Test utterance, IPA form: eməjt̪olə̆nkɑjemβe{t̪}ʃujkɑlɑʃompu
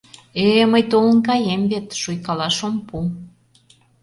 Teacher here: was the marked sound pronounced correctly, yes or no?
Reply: yes